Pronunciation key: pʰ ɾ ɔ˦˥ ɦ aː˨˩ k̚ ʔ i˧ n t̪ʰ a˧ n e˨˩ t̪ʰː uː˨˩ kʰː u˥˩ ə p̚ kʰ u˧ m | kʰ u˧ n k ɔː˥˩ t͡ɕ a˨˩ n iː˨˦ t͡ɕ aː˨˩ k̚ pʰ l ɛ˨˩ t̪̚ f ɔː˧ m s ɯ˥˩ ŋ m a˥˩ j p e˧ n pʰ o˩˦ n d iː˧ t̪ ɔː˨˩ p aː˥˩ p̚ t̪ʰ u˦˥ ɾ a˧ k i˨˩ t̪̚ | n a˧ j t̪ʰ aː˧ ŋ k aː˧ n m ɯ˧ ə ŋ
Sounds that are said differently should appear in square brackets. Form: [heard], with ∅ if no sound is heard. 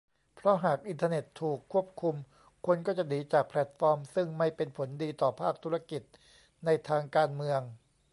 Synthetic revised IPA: pʰ ɾ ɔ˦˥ ɦ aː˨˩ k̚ ʔ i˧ n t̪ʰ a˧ n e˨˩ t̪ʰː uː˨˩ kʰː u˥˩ ə p̚ kʰ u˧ m | kʰ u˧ n k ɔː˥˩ t͡ɕ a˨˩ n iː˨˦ t͡ɕ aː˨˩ k̚ pʰ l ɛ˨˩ t̪̚ f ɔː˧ m s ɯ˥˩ ŋ m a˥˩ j p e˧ n pʰ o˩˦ n d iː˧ t̪ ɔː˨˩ [pʰ] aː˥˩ [k̚] t̪ʰ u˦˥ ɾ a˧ k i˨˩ t̪̚ | n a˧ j t̪ʰ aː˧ ŋ k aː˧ n m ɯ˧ ə ŋ